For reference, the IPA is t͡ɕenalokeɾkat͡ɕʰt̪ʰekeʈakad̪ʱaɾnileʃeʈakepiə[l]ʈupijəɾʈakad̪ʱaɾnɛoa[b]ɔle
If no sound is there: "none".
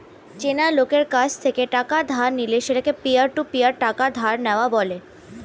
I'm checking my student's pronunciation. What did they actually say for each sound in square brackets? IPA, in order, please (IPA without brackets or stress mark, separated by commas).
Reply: ɾ, b